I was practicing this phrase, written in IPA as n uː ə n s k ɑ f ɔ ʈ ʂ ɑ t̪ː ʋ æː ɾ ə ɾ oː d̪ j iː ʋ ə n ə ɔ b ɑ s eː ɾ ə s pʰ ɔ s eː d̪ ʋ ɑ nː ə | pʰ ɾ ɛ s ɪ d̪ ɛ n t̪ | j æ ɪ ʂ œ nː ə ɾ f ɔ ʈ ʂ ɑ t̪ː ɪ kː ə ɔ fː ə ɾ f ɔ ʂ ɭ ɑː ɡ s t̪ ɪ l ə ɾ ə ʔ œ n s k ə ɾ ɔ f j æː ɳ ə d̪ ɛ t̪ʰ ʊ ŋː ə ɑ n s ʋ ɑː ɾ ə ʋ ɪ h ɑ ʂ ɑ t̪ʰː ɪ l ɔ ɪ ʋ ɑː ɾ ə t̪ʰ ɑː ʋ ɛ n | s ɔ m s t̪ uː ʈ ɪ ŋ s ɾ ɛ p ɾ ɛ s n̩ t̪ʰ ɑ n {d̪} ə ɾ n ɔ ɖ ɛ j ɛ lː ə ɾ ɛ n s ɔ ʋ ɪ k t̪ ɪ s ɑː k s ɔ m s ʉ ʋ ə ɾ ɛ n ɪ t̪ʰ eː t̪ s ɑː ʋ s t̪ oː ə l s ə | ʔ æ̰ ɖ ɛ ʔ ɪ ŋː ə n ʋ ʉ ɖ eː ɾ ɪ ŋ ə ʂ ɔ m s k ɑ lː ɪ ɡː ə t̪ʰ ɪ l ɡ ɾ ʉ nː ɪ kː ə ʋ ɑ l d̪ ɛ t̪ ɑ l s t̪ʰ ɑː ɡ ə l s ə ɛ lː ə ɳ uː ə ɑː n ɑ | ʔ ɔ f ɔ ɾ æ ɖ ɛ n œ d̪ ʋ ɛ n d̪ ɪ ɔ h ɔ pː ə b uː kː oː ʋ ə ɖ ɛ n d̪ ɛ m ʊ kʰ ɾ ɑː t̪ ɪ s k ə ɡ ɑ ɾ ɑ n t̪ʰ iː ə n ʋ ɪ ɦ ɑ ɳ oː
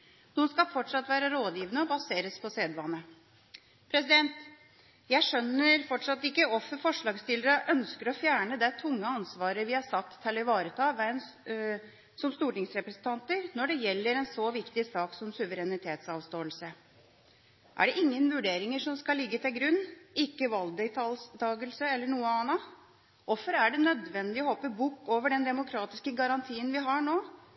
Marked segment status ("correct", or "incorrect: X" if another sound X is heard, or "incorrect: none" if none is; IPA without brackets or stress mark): incorrect: t̪